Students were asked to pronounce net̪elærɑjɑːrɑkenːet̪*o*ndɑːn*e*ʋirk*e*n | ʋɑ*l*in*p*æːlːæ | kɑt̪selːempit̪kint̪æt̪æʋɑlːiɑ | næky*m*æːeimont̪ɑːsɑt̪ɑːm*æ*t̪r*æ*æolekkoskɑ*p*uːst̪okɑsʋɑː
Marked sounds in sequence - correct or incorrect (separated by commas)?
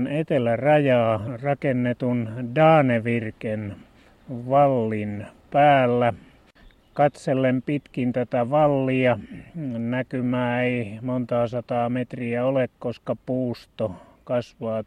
incorrect, correct, correct, incorrect, correct, correct, incorrect, incorrect, correct